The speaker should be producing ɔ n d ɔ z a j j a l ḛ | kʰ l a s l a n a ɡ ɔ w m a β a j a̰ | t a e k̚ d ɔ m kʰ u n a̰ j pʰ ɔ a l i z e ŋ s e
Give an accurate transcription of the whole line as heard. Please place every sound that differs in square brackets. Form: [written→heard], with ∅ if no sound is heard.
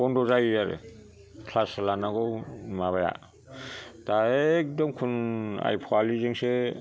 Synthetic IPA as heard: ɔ n d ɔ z a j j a [l→ɾ] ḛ | kʰ l a s l a n a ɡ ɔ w m a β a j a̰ | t a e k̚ d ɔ m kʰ u n a̰ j pʰ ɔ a l i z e ŋ s e